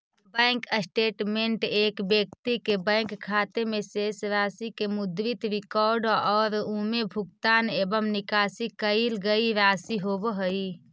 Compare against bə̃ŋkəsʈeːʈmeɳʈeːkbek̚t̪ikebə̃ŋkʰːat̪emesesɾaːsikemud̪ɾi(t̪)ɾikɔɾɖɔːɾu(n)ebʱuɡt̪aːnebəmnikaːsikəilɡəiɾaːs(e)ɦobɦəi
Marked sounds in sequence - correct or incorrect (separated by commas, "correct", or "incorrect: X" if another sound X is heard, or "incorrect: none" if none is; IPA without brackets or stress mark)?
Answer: correct, incorrect: m, incorrect: i